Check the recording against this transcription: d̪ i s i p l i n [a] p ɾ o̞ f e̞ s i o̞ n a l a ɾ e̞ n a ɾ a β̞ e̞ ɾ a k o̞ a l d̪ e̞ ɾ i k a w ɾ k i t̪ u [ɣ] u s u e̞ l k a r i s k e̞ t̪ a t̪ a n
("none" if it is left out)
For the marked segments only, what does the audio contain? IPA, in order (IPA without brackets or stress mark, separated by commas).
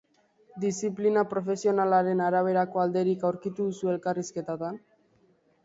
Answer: a, ð